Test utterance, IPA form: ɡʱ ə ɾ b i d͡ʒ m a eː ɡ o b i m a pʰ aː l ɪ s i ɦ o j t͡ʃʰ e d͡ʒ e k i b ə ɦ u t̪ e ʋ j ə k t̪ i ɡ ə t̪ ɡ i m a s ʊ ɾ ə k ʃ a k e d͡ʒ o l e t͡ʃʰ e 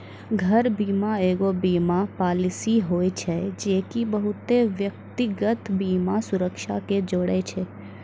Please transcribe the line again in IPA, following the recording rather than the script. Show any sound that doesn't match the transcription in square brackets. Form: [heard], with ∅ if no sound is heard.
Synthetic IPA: ɡʱ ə ɾ b i [∅] m a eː ɡ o b i m a [p] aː l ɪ s i ɦ o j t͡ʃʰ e d͡ʒ e k i b ə ɦ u t̪ e ʋ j ə k t̪ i ɡ ə t̪ [b] i m a s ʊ ɾ ə k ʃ a k e d͡ʒ o [ɽ] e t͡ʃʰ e